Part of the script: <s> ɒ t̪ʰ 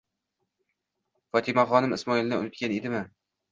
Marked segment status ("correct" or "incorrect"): incorrect